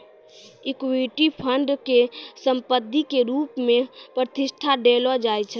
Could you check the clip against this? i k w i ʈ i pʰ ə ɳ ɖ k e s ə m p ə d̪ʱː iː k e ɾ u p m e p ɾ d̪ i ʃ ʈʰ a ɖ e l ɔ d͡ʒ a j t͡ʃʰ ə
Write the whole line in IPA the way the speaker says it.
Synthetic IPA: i k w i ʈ i pʰ ə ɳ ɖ k e s ə m p ə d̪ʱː i k e ɾ u p m e p ɾ t̪ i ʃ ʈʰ a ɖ e l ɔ d͡ʒ a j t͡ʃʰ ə

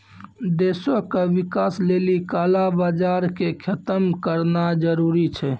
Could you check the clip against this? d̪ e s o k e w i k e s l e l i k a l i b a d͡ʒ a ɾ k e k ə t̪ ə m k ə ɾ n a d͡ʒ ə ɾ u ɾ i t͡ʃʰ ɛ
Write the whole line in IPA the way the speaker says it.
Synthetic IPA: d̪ e s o k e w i k a s l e l i k a l a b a d͡ʒ a ɾ k e kʰ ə t̪ ə m k ə ɾ n a d͡ʒ ə ɾ u ɾ i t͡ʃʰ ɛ

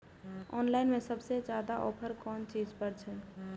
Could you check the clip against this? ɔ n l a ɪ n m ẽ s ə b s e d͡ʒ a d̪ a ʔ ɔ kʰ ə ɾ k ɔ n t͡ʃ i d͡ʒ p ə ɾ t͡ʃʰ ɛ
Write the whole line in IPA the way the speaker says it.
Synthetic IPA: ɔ n l a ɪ n m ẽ s ə b s e d͡ʒ a d̪ a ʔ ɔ pʰ ə ɾ k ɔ n t͡ʃ i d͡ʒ p ə ɾ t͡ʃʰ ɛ

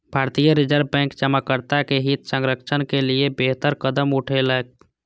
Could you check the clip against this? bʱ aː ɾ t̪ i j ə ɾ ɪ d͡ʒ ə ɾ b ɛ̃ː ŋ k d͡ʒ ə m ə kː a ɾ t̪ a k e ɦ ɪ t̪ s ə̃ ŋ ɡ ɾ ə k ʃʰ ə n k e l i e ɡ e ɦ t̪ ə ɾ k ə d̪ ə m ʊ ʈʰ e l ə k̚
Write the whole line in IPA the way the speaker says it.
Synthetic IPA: bʱ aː ɾ t̪ i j ə ɾ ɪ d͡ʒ ə ɾ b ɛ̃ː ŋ k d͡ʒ ə m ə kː ə ɾ t̪ a k e ɦ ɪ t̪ s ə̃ ŋ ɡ ɾ ə k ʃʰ ə n k e l i e b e ɦ t̪ ə ɾ k ə d̪ ə m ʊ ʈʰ e l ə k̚

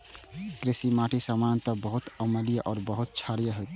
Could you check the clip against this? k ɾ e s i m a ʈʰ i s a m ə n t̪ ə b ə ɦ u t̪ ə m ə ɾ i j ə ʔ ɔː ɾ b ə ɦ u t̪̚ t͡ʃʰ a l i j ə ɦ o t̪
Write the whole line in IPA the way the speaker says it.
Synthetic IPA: k ɾ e s i m a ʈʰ i s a m a n t̪ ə b ə ɦ u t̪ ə m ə l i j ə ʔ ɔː ɾ b ə ɦ u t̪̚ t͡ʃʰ a ɾ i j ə ɦ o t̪

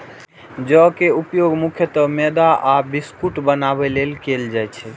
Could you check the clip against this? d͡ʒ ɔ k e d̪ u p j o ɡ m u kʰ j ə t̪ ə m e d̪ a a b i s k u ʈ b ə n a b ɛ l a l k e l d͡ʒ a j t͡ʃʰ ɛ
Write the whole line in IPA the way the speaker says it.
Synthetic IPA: d͡ʒ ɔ k e u p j o ɡ m u kʰ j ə t̪ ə m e d̪ a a b i s k u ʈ b ə n a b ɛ l e l k e l d͡ʒ a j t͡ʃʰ ɛ

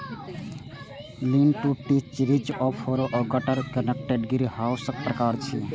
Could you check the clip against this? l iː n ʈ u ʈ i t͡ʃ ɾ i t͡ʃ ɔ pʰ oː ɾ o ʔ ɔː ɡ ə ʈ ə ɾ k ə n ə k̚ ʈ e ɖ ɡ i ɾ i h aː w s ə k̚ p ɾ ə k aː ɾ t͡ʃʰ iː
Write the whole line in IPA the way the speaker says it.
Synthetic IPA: l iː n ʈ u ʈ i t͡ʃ ɾ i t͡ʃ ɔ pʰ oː ɾ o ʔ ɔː ɡ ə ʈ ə ɾ k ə n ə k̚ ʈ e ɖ ɡ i ɾ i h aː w s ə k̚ p ɾ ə k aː ɾ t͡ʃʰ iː

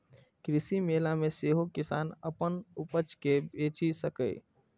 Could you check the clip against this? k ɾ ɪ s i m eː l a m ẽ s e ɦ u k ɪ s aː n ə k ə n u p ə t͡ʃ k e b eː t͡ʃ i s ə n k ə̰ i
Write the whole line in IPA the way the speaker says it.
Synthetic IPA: k ɾ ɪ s i m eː l a m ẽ s e ɦ o k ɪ s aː n ə p ə n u p ə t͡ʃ k e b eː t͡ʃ i s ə k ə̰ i

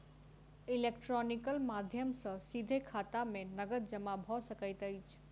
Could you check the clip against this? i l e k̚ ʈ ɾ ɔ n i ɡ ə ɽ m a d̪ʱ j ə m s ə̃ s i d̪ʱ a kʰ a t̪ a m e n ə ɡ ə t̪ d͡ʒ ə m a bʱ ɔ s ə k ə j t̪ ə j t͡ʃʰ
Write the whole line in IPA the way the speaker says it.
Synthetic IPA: i l e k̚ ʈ ɾ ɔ n i k ə l m a d̪ʱ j ə m s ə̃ s i d̪ʱ e kʰ a t̪ a m e n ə ɡ ə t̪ d͡ʒ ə m a bʱ ɔ s ə k ə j t̪ ə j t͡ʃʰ

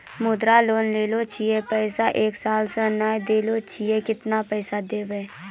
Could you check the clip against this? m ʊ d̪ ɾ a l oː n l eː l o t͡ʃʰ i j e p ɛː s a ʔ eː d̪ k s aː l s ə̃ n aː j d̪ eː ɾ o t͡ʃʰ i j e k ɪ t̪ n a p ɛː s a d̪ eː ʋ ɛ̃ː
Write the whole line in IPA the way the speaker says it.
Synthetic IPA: m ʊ d̪ ɾ a l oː n l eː l o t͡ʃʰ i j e p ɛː s a ʔ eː k s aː l s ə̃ n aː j d̪ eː l o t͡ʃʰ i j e k ɪ t̪ n a p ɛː s a d̪ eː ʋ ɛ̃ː

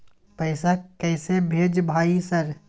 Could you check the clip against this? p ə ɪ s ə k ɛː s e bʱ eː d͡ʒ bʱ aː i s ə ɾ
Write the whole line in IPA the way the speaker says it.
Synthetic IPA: p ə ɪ s a k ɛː s e bʱ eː d͡ʒ bʱ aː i s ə ɾ

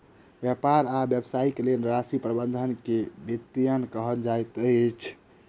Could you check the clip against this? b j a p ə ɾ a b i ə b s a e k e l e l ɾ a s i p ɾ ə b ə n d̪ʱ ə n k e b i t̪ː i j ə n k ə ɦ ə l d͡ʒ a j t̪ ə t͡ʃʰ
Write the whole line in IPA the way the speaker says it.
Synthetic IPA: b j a p a ɾ a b j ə b s a i k e l e l ɾ a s i p ɾ ə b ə n d̪ʱ ə n k e b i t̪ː i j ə n k ə ɦ ə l d͡ʒ a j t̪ ə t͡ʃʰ

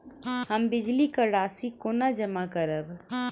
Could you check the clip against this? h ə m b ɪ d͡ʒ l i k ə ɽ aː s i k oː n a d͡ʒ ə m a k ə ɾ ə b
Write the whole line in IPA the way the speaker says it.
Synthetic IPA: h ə m b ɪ d͡ʒ l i k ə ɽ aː s i k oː n a d͡ʒ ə m a k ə ɾ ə b

